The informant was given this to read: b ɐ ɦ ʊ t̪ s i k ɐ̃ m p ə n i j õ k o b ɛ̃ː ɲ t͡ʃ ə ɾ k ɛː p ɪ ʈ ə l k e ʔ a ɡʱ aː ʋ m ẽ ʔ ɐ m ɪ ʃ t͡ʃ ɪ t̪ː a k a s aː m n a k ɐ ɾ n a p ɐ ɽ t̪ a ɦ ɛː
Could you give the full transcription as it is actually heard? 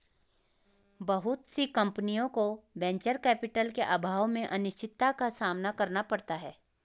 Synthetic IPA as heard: b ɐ ɦ ʊ t̪ s i k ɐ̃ m p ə n i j õ k o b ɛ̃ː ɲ t͡ʃ ə ɾ k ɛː p ɪ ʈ ə l k e ʔ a bʱ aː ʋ m ẽ ʔ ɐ n ɪ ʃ t͡ʃ ɪ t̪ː a k a s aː m n a k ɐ ɾ n a p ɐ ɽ t̪ a ɦ ɛː